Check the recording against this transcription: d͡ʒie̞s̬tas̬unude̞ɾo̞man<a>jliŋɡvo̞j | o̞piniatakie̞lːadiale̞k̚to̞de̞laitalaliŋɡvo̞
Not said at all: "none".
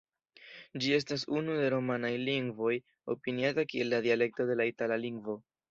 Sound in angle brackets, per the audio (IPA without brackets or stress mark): a